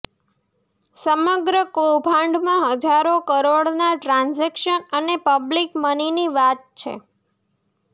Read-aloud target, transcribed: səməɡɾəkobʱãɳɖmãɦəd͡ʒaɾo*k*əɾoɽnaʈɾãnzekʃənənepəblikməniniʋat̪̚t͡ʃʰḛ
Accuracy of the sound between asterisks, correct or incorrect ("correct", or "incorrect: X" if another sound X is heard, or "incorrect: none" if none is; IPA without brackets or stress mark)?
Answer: correct